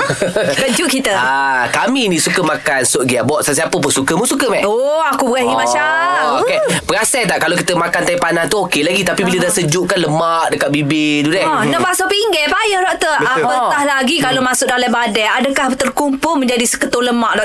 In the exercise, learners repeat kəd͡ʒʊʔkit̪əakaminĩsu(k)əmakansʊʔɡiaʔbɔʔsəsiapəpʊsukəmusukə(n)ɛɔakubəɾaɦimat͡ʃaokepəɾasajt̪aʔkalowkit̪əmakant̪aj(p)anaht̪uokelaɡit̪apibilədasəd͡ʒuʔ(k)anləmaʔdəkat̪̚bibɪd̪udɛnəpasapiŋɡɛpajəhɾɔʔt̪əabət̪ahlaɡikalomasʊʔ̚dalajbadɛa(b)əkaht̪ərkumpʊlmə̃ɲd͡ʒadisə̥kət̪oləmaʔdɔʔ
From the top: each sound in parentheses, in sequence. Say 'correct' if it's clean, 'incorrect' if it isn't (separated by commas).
correct, incorrect, correct, correct, incorrect